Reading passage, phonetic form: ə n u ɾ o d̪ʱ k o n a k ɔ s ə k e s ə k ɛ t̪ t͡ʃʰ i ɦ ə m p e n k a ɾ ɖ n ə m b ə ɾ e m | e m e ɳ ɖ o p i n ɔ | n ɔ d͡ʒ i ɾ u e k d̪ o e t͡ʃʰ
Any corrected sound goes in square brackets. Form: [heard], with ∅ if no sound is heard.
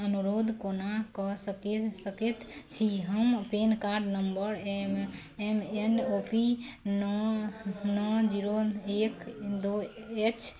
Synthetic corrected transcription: ə n u ɾ o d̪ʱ k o n a k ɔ s ə k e s ə k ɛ t̪ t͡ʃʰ i ɦ ə m p e n k a ɾ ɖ n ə m b ə ɾ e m | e m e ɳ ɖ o p i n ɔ | n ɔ d͡ʒ i ɾ [o] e k d̪ o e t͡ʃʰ